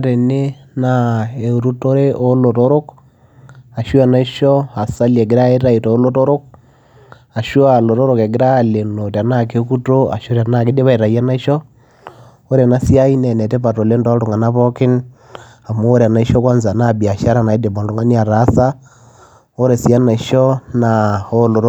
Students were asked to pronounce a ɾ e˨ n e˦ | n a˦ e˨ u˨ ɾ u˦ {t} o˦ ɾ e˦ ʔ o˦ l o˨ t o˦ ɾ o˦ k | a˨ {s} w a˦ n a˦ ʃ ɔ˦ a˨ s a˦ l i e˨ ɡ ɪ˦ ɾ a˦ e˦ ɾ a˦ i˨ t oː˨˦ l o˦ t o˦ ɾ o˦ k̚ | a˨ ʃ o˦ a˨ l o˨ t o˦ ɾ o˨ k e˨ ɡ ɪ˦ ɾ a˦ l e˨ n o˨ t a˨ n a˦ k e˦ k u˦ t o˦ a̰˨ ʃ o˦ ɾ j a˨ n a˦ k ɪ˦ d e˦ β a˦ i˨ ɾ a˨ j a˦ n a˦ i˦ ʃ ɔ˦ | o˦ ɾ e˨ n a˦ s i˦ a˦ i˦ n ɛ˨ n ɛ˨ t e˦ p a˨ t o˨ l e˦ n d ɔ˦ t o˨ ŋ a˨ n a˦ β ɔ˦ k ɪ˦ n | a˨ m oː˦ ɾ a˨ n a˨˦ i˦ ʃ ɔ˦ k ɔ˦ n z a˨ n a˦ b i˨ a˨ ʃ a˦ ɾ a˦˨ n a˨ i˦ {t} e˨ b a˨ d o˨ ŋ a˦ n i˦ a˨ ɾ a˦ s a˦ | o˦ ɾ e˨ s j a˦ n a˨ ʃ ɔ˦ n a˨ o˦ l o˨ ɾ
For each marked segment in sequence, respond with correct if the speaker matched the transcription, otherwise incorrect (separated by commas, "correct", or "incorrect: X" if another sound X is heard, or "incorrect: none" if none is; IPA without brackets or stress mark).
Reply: correct, incorrect: ʃ, incorrect: d